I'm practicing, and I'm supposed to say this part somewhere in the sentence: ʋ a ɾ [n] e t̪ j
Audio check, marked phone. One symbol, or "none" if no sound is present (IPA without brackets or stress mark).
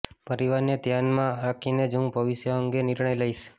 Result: n